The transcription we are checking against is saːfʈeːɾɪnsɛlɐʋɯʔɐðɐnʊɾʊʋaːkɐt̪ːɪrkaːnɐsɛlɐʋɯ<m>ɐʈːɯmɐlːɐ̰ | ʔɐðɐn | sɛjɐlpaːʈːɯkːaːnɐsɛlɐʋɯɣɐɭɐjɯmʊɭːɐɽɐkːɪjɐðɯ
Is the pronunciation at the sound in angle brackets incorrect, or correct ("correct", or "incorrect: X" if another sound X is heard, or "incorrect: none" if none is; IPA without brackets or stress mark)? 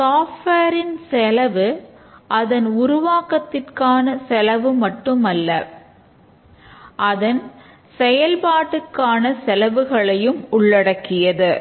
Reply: correct